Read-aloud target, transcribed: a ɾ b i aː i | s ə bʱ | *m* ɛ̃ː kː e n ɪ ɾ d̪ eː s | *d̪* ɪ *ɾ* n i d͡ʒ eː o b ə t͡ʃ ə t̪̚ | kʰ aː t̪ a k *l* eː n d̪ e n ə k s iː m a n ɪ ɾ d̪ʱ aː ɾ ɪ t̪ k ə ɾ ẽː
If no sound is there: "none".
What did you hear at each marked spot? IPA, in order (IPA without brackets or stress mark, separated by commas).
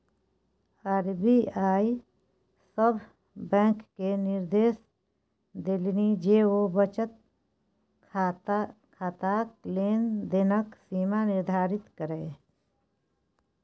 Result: b, d̪, l, l